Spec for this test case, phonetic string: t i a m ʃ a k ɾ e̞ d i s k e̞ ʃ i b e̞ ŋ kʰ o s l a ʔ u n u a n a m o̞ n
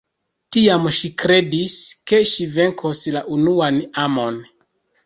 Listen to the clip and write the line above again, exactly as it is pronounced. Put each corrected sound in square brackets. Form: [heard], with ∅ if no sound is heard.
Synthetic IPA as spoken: t i a m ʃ [i] k ɾ e̞ d i s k e̞ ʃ i [v] e̞ ŋ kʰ o s l a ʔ u n u a n a m o̞ n